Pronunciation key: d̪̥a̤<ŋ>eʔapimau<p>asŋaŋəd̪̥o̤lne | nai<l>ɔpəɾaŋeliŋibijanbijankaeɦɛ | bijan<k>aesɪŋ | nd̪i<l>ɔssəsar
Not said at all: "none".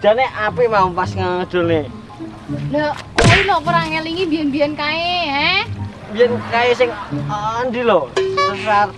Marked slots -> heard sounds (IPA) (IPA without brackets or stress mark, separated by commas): n, p, l, k, l